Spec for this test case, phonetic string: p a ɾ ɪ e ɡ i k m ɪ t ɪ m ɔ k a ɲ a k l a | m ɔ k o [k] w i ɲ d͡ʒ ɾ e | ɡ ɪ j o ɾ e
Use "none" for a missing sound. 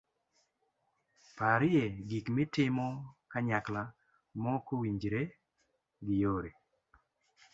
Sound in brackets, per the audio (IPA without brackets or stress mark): none